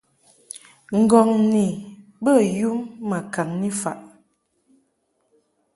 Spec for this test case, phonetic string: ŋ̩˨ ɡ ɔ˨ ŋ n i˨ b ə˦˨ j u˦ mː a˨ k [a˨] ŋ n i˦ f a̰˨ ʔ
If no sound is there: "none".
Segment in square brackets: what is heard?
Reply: a˨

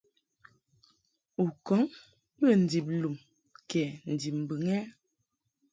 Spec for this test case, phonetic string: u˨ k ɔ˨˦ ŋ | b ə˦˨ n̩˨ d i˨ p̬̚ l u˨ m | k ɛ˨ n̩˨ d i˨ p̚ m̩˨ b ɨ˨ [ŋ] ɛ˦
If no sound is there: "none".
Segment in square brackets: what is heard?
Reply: ŋ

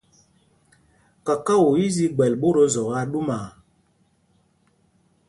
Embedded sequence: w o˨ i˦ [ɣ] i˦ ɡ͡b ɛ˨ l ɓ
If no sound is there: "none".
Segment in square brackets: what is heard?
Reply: z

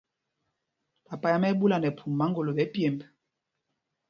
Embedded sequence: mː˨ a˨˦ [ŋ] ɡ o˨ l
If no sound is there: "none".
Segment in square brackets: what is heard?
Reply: ŋ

